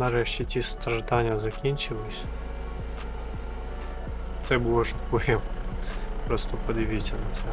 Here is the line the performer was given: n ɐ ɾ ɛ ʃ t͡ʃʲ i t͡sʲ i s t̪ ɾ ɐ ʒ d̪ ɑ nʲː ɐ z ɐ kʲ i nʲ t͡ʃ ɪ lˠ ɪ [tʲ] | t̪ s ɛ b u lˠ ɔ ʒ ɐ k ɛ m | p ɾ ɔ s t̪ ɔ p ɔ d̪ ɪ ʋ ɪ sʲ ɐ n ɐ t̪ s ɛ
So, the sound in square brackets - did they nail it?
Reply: no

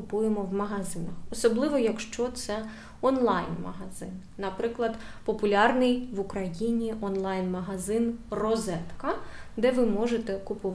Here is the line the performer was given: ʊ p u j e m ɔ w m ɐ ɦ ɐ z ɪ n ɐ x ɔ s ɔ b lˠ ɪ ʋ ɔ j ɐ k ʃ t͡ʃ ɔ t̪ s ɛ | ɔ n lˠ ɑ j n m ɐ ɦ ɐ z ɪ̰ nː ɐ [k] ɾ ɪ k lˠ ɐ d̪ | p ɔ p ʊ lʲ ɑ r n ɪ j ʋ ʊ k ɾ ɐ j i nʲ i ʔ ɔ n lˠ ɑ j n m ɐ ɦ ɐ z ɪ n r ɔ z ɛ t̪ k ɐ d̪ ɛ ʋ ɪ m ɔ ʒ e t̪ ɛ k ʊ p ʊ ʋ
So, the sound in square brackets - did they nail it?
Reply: no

